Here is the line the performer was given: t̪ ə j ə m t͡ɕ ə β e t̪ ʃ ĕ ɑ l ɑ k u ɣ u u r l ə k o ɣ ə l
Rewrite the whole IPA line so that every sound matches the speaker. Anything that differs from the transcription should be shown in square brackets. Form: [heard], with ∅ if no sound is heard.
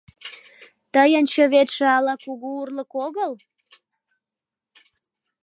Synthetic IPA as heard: t̪ ə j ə [n] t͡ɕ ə β e t̪ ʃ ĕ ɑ l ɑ k u ɣ u u r l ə k o ɣ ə l